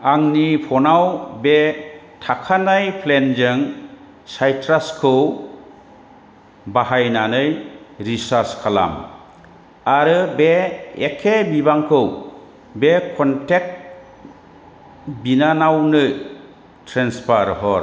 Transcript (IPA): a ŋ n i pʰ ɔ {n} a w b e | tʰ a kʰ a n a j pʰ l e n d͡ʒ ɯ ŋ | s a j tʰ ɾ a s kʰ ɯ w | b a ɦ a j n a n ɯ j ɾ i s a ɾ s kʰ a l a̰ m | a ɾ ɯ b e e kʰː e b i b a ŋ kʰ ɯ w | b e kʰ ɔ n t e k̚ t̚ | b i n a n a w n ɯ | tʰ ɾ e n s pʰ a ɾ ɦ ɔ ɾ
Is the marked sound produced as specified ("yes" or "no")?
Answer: yes